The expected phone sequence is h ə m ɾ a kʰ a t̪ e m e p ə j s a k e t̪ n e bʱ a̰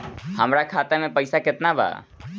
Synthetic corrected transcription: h ə m ɾ a kʰ a t̪ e m e p ə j s a k e t̪ n a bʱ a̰